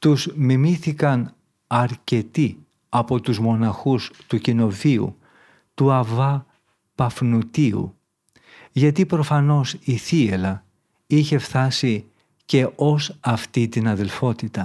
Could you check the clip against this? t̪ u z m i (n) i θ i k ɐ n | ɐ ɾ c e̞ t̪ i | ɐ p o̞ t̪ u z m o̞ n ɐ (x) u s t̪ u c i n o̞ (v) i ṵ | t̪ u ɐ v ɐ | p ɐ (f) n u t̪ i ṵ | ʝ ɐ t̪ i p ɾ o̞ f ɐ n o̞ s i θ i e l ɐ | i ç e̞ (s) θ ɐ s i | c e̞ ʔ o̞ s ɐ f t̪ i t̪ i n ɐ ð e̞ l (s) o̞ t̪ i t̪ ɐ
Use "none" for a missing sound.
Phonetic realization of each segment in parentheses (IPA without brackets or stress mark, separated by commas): m, x, v, f, f, f